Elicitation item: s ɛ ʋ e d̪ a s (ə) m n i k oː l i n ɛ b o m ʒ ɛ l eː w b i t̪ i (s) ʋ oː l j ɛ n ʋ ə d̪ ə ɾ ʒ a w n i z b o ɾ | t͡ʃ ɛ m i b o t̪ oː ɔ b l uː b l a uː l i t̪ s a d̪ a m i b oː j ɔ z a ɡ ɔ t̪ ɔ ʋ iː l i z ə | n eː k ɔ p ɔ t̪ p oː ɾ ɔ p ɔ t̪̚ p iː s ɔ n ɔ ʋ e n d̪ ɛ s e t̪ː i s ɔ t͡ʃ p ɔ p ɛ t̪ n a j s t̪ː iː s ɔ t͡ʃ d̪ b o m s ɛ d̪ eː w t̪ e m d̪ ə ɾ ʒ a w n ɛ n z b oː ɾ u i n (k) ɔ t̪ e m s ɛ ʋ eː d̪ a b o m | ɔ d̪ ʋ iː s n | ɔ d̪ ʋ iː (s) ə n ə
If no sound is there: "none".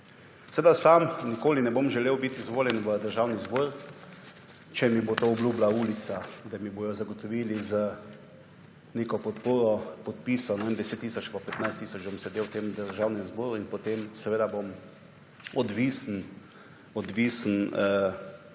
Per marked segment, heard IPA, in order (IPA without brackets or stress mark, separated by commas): a, z, p, s